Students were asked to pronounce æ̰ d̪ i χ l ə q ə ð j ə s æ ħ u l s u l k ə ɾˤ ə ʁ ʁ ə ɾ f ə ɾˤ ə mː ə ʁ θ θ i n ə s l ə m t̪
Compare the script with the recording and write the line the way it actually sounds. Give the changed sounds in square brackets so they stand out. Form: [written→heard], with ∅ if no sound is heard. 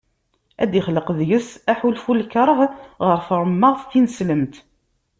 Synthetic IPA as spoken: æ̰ d̪ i χ l ə q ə ð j ə s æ ħ u l [s→f] u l k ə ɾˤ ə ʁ ʁ ə ɾ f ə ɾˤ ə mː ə ʁ θ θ i n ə s l ə m t̪